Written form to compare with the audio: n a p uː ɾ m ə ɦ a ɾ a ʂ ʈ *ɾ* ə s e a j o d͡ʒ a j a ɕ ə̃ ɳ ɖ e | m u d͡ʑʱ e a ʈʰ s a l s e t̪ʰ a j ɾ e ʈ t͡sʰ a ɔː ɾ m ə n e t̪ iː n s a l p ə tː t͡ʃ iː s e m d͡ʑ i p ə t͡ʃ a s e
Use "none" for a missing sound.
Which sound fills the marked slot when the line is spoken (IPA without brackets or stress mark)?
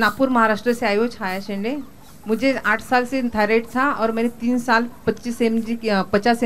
ɾ